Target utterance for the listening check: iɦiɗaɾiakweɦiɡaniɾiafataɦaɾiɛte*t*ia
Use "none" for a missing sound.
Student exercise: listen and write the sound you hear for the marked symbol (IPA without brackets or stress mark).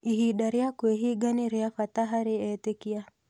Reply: k